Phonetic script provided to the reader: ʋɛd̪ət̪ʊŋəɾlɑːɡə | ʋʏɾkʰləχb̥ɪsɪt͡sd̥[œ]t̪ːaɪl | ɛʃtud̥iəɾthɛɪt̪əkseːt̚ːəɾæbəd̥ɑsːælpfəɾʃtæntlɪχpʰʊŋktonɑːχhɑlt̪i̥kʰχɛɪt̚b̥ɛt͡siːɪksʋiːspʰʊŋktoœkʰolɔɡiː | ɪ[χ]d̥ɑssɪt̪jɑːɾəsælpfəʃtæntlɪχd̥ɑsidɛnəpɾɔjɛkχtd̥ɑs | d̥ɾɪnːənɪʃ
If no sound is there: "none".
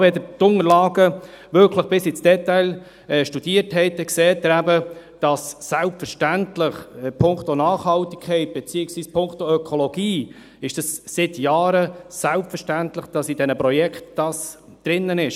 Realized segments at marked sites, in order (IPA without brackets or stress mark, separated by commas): ɛ, ʃ